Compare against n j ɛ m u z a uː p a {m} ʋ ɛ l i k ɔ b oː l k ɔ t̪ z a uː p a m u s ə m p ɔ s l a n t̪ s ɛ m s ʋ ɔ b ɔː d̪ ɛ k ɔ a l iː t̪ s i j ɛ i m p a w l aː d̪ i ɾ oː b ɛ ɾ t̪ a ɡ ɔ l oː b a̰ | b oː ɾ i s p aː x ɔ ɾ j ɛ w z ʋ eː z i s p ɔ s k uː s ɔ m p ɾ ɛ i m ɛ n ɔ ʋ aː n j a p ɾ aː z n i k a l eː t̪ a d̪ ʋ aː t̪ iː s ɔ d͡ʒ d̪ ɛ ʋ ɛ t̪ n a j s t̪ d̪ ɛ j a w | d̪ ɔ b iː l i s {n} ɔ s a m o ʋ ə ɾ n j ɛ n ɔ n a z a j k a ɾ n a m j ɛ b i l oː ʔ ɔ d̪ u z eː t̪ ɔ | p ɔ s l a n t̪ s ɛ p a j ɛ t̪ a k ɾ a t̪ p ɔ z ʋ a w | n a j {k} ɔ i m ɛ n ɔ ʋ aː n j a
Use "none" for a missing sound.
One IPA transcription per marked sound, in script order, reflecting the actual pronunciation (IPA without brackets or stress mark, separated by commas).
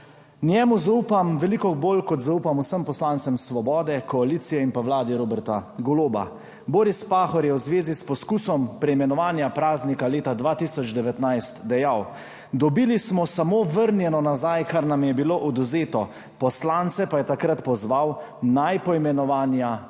m, m, p